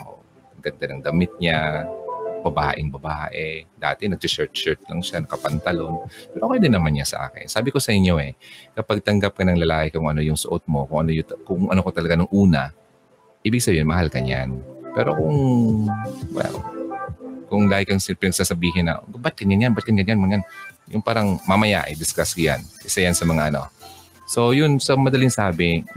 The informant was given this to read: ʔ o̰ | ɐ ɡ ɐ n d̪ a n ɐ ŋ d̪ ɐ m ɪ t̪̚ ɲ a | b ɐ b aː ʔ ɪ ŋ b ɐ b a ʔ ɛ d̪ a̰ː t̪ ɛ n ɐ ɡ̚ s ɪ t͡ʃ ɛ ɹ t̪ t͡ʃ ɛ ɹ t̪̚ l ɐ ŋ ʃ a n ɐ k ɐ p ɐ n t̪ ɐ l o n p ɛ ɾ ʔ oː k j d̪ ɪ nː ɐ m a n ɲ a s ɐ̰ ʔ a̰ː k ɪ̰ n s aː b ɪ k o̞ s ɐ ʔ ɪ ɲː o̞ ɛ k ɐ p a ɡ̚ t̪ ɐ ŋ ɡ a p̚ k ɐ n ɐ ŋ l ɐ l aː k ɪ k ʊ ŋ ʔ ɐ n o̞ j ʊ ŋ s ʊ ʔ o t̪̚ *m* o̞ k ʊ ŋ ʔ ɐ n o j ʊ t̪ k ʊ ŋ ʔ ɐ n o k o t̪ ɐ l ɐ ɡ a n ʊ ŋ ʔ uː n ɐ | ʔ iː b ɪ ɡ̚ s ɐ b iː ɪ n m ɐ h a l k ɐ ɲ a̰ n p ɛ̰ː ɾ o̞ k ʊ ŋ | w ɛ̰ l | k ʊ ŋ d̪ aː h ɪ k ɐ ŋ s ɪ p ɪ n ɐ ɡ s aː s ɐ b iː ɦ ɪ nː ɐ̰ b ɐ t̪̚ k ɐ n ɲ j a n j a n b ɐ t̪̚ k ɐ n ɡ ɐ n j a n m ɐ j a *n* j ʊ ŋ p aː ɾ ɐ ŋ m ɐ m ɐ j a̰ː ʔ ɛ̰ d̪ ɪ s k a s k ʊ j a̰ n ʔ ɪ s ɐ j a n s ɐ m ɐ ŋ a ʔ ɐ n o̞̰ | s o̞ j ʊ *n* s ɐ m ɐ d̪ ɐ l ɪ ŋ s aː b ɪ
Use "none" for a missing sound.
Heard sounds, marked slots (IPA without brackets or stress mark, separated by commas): m, n, n